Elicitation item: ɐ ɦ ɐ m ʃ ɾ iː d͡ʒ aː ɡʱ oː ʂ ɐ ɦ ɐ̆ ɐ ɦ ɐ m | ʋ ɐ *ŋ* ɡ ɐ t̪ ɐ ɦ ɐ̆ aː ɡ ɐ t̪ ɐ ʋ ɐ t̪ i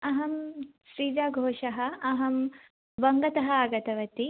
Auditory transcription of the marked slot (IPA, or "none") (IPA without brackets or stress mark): ŋ